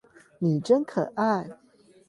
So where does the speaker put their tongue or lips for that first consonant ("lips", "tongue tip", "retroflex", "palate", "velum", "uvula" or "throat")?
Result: tongue tip